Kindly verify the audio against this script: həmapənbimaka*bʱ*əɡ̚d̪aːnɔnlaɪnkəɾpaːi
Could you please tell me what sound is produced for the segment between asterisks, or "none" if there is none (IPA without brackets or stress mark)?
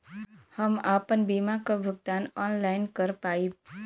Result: bʱ